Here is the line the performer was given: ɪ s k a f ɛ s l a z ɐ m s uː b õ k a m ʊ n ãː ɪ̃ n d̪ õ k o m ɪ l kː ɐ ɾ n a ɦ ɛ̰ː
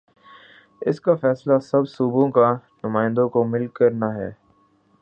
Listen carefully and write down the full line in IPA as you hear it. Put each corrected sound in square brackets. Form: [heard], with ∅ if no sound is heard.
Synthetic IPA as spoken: ɪ s k a f [ɛː] s l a [s] ɐ [b] s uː b õ k a [n] ʊ [m] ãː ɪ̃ n d̪ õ k o m ɪ l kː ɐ ɾ n a ɦ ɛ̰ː